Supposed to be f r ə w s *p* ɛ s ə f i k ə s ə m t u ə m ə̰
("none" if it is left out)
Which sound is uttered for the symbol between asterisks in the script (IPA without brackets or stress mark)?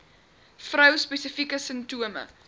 p